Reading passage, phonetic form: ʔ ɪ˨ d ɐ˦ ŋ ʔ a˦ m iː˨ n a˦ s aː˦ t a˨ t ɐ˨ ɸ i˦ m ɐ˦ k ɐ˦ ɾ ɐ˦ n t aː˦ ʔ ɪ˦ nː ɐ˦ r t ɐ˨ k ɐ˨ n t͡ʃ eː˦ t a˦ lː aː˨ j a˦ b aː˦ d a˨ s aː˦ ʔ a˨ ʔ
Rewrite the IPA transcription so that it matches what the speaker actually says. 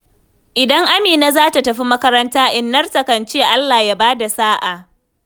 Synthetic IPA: ʔ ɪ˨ d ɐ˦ ŋ ʔ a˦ m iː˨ n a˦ z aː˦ t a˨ t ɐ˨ ɸ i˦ m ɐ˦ k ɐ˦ ɾ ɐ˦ n t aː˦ ʔ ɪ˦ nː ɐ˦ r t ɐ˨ k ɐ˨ n t͡ʃ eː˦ ʔ a˦ lː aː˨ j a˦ b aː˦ d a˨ s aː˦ ʔ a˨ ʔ